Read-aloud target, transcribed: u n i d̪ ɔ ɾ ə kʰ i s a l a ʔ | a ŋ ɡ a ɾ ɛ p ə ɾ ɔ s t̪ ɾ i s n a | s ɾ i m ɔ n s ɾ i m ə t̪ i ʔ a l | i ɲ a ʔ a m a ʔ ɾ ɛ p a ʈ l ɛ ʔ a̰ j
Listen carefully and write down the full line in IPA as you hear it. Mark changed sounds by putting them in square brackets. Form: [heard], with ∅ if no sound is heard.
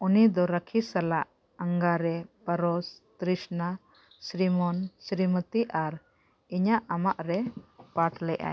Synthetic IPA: u n i d̪ ɔ ɾ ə kʰ i s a l a ʔ | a ŋ ɡ a ɾ ɛ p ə ɾ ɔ s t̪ ɾ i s n a | s ɾ i m ɔ n s ɾ i m ə t̪ i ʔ a [ɾ] | i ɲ a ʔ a m a ʔ ɾ ɛ p a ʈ l ɛ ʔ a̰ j